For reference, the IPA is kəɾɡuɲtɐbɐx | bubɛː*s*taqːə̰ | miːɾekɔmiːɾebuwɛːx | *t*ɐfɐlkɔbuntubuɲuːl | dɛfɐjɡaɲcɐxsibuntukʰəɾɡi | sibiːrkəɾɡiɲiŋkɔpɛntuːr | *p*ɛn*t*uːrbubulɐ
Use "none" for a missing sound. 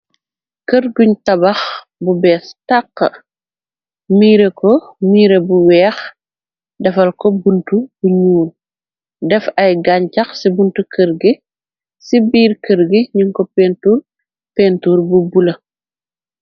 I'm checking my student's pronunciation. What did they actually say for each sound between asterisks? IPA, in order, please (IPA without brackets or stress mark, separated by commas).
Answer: s, d, p, t